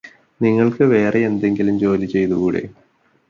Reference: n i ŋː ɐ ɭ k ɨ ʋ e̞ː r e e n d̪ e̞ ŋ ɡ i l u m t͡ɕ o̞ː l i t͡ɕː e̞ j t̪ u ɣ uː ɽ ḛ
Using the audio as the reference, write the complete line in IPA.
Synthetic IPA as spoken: n i ŋː ɐ ɭ k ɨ ʋ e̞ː r e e n d̪ e̞ ŋ ɡ i l u m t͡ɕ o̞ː l i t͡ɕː e̞ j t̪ u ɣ uː ɽ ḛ